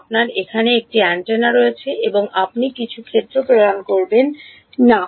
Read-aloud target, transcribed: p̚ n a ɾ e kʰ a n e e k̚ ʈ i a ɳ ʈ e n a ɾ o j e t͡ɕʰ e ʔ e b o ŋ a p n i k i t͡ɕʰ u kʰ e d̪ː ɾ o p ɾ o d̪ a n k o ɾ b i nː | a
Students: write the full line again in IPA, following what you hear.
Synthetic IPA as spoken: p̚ n a ɾ e kʰ a n e e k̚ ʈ i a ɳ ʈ e n a ɾ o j e t͡ɕʰ e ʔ e b o ŋ a p n i k i t͡ɕʰ u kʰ e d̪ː ɾ o p ɾ o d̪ a n k o ɾ b e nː | a